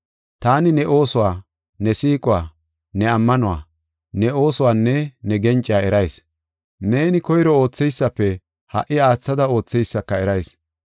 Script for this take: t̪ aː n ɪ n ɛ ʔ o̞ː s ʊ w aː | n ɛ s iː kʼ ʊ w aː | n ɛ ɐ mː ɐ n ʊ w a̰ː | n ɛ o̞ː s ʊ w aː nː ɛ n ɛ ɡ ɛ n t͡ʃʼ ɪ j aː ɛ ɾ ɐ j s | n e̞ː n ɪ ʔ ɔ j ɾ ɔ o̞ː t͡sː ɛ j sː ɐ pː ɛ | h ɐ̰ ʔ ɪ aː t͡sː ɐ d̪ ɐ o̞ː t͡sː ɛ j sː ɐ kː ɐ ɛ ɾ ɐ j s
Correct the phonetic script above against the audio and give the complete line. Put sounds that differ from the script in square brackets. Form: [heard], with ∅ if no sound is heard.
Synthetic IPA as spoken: t̪ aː n ɪ n ɛ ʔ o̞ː s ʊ w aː | n ɛ s iː kʼ ʊ w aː | n ɛ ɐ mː ɐ n ʊ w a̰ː | n ɛ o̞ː s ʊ w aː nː ɛ n ɛ ɡ ɛ n t͡ʃʼ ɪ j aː ɛ ɾ ɐ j s | n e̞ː n ɪ [k] ɔ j ɾ ɔ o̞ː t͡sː ɛ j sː ɐ pː ɛ | h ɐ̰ ʔ ɪ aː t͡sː ɐ d̪ ɐ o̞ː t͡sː ɛ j sː ɐ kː ɐ ɛ ɾ ɐ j s